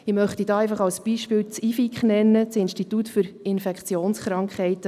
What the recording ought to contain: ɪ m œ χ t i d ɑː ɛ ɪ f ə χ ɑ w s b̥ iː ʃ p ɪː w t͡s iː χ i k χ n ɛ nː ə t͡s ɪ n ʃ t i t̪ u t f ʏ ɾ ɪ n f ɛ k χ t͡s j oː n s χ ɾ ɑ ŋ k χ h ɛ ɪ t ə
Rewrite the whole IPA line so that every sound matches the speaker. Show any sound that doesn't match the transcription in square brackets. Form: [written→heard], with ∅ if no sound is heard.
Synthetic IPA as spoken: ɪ m œ χ t i d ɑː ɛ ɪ f [ə→ɑ] χ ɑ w s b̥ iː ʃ p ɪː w t͡s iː [χ→f] i k χ n ɛ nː ə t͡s ɪ n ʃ t i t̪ u t f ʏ ɾ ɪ n f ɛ k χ t͡s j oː n s χ ɾ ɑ ŋ k χ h ɛ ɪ t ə